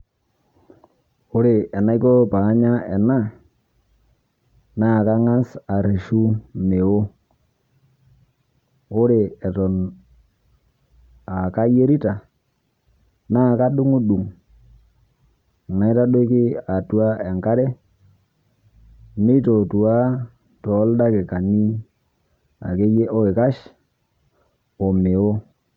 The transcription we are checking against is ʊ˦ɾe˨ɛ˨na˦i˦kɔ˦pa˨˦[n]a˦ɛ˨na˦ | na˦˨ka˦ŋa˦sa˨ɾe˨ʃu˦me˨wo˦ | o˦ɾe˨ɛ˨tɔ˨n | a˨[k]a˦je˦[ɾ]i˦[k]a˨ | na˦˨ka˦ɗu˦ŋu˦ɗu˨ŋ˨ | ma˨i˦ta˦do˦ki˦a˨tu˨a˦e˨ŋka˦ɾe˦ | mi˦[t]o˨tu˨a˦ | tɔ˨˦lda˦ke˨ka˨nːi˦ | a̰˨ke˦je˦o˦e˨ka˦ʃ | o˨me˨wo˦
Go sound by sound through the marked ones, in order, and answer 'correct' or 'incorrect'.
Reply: incorrect: ɲ, correct, correct, incorrect: t, correct

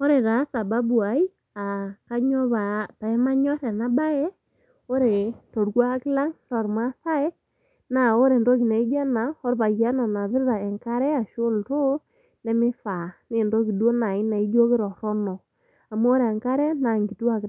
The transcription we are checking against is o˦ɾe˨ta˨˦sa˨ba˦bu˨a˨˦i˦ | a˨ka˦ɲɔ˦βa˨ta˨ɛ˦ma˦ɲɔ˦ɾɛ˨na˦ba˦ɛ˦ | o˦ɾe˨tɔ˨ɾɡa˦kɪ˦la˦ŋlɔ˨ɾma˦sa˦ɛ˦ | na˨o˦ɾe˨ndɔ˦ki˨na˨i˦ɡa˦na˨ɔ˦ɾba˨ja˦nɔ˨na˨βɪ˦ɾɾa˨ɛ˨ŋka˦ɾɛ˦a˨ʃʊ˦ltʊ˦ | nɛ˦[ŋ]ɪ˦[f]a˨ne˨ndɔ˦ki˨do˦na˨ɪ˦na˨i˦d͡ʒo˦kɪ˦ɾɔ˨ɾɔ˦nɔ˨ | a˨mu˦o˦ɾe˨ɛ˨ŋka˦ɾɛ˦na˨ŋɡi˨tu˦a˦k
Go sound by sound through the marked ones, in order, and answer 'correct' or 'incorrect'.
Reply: incorrect: m, correct

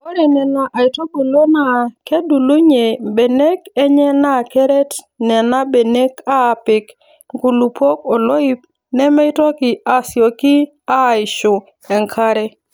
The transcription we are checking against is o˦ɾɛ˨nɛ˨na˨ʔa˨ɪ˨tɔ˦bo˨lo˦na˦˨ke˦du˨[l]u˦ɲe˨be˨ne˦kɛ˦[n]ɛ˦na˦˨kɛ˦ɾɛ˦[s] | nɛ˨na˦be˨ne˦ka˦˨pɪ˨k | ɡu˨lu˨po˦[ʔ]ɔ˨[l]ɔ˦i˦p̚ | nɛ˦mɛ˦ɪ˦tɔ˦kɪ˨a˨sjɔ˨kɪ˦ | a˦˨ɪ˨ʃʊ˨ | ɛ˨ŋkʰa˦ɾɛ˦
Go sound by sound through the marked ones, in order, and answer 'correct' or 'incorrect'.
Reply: correct, incorrect: ɲ, incorrect: t, incorrect: k, correct

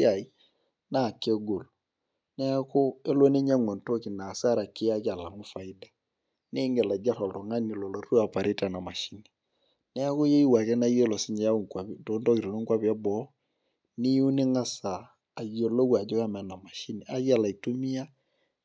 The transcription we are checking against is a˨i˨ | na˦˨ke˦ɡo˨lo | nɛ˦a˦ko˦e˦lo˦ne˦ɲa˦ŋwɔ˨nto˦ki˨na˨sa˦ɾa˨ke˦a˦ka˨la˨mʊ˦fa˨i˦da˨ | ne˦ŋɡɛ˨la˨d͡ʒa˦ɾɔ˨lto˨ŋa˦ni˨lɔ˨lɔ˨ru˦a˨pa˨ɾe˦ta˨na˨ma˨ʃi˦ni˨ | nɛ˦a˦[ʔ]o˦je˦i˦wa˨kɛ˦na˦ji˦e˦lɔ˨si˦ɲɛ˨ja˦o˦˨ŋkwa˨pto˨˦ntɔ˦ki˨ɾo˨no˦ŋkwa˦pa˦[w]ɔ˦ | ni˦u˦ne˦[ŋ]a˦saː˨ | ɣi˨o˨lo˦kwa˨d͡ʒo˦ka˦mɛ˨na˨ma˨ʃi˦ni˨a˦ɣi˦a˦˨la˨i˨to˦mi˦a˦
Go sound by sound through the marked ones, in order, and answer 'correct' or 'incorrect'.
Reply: incorrect: k, incorrect: b, correct

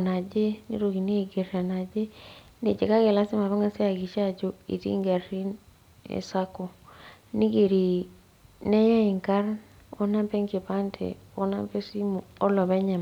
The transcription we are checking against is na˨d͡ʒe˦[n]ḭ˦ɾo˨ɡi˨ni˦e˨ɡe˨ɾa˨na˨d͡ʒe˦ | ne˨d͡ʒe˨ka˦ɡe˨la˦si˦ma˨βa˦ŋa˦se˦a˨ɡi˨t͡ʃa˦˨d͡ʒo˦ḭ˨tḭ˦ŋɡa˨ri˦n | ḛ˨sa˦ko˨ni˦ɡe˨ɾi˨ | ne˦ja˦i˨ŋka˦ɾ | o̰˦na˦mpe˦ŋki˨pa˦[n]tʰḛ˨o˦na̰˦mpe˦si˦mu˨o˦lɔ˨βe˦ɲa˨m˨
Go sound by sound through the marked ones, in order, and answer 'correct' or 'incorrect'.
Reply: correct, correct

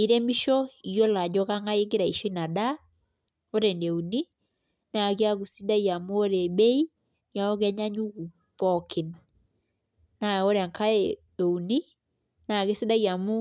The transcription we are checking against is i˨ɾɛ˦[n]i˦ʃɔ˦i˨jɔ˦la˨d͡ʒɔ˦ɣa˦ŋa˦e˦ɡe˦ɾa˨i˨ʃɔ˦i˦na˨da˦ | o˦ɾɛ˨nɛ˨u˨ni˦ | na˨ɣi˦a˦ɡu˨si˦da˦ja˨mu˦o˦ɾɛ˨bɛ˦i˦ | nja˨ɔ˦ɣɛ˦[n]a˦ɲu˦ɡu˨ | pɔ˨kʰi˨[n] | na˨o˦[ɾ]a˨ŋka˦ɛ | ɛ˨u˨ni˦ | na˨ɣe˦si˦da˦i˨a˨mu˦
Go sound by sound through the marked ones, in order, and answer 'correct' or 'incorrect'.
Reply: incorrect: m, incorrect: ɲ, correct, correct

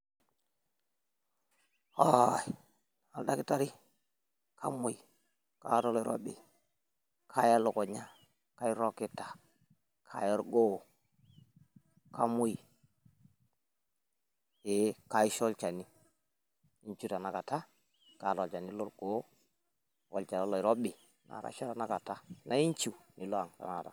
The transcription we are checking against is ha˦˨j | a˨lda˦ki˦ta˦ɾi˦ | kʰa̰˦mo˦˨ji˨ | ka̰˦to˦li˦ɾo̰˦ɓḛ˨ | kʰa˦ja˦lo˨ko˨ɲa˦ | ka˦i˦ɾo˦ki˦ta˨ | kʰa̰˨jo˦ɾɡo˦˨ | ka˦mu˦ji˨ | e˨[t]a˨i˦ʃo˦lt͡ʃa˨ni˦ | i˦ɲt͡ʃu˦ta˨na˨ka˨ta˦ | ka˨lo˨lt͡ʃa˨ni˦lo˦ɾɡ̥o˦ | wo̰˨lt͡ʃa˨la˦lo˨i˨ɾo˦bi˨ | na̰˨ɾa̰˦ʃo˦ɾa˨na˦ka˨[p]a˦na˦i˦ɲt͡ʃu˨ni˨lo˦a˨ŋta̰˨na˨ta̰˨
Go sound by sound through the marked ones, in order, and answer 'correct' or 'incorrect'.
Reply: incorrect: k, incorrect: t

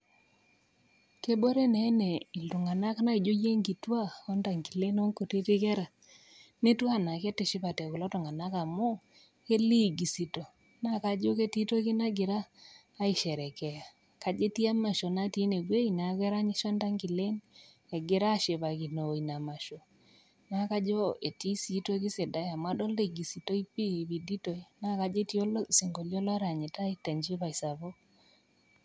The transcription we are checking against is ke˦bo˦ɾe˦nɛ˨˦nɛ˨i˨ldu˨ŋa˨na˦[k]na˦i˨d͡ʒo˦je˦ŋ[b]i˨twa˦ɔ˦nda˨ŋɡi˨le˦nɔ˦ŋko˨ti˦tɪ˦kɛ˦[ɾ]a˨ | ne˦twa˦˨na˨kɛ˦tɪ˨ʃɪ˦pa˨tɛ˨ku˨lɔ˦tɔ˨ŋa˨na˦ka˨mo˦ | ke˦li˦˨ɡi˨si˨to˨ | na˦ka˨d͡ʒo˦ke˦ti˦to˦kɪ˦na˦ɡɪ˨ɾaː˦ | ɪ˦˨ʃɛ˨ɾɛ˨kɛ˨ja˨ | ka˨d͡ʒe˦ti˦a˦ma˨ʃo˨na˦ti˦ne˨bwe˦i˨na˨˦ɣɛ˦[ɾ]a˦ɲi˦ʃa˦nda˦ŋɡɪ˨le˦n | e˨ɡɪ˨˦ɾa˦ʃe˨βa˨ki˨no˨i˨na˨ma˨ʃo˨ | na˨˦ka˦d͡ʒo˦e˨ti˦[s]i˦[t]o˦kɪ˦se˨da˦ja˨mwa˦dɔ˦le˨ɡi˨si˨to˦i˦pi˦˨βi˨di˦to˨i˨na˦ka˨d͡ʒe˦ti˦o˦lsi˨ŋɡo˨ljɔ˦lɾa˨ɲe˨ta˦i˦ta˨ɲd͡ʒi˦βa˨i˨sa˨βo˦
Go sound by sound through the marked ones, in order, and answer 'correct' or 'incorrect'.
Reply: correct, incorrect: ɡ, correct, correct, correct, correct

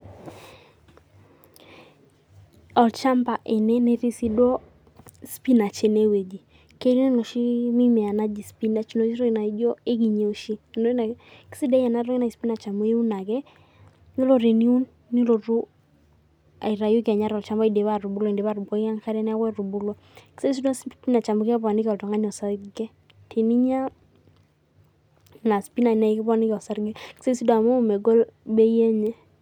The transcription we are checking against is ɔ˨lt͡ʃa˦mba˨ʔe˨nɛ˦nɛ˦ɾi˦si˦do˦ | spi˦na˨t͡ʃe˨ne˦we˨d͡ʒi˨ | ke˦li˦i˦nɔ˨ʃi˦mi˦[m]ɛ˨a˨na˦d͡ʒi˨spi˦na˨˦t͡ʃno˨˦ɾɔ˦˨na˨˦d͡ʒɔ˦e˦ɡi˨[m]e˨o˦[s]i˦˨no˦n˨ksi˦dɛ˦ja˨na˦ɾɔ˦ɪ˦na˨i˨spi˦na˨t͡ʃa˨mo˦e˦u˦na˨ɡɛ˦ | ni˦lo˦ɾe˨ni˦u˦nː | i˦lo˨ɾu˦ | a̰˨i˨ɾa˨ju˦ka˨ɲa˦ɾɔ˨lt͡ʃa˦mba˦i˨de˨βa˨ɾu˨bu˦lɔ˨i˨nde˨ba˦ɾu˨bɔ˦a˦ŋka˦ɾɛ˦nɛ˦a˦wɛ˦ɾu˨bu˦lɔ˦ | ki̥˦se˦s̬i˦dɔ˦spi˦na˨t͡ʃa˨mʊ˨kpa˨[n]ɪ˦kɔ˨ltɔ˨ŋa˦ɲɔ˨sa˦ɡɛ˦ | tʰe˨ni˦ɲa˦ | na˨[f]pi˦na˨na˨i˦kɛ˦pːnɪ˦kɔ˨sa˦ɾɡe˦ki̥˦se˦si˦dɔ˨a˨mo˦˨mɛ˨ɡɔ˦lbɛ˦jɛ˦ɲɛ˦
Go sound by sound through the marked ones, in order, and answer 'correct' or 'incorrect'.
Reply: correct, incorrect: ɲ, incorrect: ʃ, correct, incorrect: s

